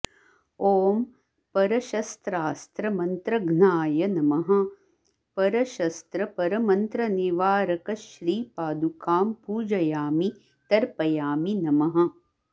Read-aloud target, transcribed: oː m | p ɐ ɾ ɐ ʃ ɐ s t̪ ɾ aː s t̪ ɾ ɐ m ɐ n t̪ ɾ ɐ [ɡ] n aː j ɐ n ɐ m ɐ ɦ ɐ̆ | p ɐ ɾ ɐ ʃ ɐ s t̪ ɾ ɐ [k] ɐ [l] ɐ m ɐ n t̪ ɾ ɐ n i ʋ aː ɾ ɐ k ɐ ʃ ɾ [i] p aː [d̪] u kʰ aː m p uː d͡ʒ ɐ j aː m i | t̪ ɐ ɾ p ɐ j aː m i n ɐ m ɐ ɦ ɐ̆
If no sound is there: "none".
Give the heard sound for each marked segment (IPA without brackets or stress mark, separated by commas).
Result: ɡ, p, ɾ, iː, d̪